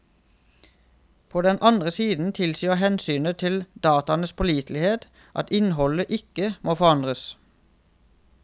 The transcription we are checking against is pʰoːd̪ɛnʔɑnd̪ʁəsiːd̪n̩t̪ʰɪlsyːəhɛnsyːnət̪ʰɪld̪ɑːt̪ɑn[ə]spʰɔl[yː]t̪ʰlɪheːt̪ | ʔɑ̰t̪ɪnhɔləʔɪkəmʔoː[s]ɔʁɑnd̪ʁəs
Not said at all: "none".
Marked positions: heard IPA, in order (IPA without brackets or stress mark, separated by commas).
ə, iː, f